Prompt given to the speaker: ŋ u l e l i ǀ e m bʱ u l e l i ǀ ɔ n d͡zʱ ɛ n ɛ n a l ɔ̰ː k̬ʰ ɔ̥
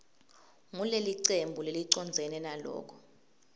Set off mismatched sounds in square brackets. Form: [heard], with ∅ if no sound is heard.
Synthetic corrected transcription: ŋ u l e l i ǀ e m bʱ u l e l i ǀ ɔ n d͡zʱ ɛ n ɛ n a l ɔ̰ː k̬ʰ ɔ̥